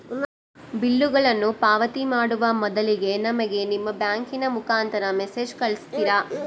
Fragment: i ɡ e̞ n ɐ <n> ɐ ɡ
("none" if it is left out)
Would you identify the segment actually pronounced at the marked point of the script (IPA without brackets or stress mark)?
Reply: m